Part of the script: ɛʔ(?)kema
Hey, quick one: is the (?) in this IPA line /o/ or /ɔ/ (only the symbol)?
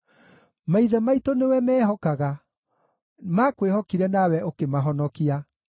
o